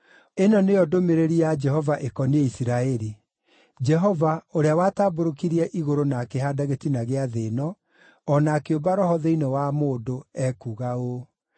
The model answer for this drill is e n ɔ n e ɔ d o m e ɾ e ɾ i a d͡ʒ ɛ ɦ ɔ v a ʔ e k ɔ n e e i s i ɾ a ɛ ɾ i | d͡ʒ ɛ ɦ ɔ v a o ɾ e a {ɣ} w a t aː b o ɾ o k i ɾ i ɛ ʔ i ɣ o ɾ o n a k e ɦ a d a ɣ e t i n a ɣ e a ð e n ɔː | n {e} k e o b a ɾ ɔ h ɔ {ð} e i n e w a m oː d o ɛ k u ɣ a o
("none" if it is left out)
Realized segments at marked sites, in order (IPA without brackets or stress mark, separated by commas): none, a, ð